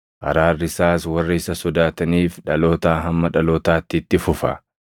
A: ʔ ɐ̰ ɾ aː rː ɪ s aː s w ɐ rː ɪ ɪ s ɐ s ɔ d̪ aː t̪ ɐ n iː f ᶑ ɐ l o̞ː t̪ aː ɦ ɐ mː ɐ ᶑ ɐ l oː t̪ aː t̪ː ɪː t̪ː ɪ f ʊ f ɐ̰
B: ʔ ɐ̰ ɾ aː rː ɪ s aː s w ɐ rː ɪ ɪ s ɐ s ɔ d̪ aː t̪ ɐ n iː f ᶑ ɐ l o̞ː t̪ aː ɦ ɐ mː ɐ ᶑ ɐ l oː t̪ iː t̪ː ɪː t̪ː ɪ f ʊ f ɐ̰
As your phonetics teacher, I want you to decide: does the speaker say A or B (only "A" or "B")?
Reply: A